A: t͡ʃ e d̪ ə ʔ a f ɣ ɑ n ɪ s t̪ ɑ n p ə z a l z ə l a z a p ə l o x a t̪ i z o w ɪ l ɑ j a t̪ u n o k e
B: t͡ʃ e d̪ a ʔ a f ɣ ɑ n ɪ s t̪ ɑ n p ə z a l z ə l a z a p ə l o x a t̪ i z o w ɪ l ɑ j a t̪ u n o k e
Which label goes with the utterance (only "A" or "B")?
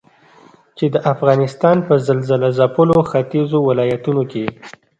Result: A